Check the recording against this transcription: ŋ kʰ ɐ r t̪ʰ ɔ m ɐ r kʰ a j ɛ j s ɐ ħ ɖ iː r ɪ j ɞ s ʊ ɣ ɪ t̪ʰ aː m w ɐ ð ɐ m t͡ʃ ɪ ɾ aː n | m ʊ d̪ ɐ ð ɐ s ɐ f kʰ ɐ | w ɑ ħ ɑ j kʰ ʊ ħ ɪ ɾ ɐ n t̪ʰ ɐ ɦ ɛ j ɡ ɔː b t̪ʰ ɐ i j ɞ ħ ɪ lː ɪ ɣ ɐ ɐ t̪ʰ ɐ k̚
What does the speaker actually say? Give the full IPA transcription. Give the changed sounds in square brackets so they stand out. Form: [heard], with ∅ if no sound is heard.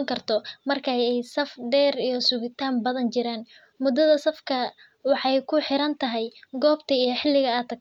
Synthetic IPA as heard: ŋ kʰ ɐ r t̪ʰ ɔ m ɐ r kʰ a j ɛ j s ɐ [f] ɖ [ɛː] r [i] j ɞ s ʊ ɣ ɪ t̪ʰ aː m [b] ɐ ð ɐ [n] t͡ʃ ɪ ɾ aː n | m ʊ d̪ ɐ ð ɐ s ɐ f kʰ ɐ | w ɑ ħ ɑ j kʰ ʊ ħ ɪ ɾ ɐ n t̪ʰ ɐ ɦ ɛ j ɡ ɔː b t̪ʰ ɐ i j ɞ ħ ɪ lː ɪ ɣ ɐ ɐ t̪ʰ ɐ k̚